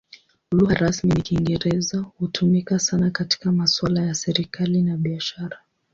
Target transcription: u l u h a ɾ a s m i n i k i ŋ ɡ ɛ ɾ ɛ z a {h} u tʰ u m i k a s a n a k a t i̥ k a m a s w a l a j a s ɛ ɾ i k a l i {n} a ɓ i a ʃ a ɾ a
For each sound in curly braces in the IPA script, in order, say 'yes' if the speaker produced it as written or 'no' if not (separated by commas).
yes, yes